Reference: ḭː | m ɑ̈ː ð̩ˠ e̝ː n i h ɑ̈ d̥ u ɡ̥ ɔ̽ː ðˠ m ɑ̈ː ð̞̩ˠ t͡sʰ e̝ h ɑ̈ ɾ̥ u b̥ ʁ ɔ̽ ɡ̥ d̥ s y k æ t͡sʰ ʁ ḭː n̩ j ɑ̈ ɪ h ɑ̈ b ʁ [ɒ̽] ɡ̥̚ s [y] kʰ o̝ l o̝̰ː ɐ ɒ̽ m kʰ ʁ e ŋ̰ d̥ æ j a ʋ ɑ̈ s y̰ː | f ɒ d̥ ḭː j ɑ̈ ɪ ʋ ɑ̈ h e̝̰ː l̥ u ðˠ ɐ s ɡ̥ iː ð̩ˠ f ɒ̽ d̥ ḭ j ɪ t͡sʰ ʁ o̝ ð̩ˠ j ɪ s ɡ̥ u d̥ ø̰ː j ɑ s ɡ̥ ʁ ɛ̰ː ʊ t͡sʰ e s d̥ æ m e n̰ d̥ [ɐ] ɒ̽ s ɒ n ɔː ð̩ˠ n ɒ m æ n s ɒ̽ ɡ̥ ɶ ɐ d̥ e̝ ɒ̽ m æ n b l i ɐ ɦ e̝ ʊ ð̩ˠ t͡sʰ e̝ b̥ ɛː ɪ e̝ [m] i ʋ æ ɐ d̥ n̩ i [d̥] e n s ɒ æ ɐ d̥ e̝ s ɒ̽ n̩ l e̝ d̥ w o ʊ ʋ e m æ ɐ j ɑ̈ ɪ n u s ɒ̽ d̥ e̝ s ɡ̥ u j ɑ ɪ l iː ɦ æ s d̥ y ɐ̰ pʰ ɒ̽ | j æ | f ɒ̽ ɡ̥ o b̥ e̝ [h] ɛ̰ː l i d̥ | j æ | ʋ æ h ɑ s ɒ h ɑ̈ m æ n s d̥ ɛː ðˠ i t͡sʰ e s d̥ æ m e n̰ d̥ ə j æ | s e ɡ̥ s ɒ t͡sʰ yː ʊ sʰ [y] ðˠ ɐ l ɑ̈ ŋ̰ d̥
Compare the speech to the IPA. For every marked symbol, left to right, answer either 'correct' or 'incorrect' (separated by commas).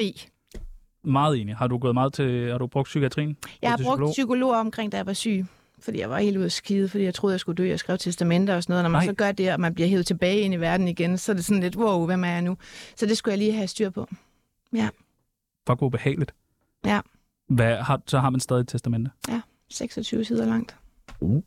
incorrect, correct, correct, incorrect, incorrect, correct, incorrect